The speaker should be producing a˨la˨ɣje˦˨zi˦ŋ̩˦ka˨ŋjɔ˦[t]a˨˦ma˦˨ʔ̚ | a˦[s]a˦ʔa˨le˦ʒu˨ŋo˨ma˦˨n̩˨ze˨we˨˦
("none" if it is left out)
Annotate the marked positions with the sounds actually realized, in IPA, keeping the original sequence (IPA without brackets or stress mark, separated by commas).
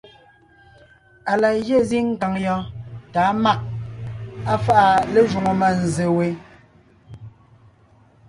t, f